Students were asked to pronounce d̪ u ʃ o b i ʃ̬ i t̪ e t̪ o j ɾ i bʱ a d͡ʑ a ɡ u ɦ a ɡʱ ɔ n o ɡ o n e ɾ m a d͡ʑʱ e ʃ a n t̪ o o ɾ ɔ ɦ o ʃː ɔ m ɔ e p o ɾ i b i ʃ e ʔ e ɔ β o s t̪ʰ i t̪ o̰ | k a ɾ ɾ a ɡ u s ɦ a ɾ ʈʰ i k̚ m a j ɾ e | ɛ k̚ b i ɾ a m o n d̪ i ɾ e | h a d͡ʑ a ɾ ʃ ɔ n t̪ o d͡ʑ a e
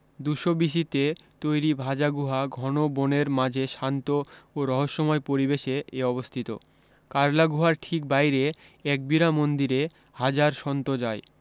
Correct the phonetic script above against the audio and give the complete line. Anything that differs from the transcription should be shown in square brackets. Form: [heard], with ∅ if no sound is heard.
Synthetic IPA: d̪ u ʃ o b i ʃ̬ i t̪ e t̪ o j ɾ i bʱ a d͡ʑ a ɡ u ɦ a ɡʱ ɔ n o [b] o n e ɾ m a d͡ʑʱ e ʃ a n t̪ o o ɾ ɔ ɦ o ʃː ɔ m ɔ e p o ɾ i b [e] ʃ e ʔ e ɔ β o s t̪ʰ i t̪ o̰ | k a ɾ [l] a ɡ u [∅] ɦ a ɾ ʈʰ i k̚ [b] a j ɾ e | ɛ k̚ b i ɾ a m o n d̪ i ɾ e | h a d͡ʑ a ɾ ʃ ɔ n t̪ o d͡ʑ a e